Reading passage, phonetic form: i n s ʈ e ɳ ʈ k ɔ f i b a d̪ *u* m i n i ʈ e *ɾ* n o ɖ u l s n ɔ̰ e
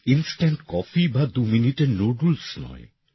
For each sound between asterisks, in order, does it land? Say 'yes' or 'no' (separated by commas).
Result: yes, yes